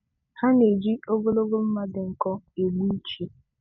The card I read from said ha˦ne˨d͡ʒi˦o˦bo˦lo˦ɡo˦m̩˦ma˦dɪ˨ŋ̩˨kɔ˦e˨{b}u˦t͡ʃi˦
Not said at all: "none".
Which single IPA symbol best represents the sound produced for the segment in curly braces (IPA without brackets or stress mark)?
ɡ͡b